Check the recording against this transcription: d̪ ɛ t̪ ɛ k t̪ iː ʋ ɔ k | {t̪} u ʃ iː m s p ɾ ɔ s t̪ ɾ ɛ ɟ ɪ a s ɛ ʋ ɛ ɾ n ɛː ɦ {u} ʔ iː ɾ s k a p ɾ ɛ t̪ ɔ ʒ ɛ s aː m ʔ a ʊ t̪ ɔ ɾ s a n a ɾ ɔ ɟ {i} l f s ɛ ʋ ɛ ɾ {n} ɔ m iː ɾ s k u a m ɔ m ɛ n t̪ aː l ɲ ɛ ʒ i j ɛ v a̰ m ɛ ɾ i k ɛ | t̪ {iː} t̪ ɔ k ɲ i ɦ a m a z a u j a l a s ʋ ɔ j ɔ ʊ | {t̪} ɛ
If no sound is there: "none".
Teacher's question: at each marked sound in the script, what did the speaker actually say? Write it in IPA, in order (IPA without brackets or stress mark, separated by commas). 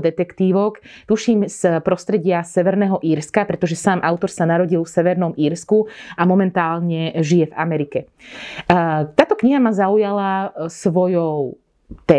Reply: t̪, ɔ, i, n, aː, t̪